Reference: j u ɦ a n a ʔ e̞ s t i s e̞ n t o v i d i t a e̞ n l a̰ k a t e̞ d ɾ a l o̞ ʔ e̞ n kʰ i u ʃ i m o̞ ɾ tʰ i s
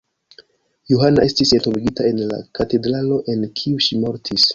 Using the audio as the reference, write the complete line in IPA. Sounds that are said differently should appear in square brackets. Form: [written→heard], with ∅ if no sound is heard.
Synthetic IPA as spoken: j u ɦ a n a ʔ e̞ s t i s e̞ n t o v i [d→ɡ] i t a e̞ n l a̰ k a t e̞ d ɾ a l o̞ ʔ e̞ n kʰ i u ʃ i m o̞ ɾ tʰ i s